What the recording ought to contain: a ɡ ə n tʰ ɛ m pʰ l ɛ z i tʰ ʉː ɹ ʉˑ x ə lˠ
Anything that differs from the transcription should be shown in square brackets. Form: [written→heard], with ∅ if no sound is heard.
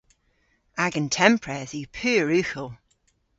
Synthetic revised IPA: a ɡ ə n tʰ ɛ m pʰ [l→ɹ] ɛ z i [tʰ→pʰ] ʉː ɹ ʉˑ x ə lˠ